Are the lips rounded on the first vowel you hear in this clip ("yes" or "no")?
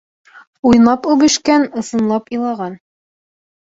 yes